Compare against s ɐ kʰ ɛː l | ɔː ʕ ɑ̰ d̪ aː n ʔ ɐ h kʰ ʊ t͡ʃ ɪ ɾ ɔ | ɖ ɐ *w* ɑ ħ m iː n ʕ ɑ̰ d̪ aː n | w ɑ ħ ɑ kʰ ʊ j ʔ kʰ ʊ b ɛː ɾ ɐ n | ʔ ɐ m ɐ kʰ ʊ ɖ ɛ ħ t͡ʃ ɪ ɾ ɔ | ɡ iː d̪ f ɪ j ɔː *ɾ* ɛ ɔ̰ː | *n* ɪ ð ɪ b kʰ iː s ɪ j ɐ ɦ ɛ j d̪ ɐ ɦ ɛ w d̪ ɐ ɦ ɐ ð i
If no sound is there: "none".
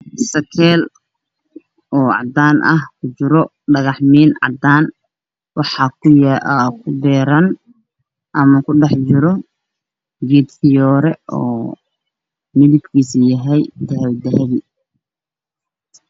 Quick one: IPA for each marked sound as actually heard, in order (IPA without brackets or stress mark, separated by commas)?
ɣ, ɾ, m